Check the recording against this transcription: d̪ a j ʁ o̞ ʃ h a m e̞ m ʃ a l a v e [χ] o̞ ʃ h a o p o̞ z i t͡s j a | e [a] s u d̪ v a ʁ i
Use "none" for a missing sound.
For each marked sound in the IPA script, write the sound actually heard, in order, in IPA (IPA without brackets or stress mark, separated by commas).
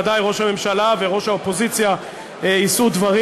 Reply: ʁ, i